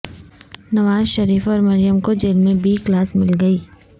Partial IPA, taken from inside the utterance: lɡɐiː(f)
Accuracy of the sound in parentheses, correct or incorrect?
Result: incorrect